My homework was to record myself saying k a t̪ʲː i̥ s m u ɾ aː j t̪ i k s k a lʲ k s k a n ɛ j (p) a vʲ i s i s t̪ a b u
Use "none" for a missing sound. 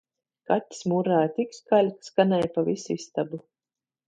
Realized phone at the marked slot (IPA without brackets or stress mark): p